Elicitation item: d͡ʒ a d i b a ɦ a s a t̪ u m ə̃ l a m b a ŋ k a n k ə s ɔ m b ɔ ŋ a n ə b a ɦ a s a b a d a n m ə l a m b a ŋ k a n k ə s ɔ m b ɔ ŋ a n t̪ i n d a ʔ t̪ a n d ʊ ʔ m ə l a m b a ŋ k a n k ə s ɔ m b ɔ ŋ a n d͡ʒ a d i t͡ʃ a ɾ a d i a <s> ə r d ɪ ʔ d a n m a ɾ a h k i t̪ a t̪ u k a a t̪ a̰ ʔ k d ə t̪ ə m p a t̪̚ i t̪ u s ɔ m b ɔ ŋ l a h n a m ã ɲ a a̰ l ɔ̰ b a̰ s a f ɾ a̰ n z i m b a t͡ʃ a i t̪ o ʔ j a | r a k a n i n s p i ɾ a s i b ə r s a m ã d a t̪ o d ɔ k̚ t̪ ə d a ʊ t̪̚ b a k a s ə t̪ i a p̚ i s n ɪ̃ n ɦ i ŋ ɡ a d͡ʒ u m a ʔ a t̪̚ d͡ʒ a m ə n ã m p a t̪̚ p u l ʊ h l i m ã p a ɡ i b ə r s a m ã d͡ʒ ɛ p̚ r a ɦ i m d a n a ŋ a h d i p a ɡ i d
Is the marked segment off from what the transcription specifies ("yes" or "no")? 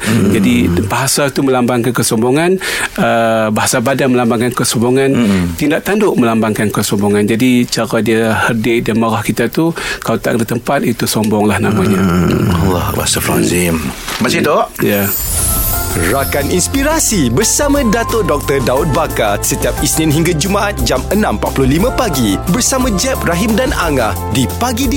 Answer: yes